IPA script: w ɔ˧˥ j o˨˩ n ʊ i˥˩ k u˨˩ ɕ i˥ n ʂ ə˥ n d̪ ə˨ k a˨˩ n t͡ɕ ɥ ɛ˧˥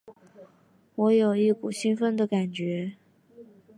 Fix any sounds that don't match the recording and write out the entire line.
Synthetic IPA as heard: w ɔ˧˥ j o˨˩ ʊ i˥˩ k u˨˩ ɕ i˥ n f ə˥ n d̪ ə˨ k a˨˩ n t͡ɕ ɥ ɛ˧˥